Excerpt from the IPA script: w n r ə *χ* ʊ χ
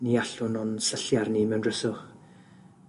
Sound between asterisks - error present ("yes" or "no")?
yes